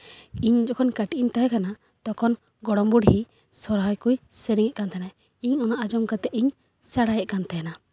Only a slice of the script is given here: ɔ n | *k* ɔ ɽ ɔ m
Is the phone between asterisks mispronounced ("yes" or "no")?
yes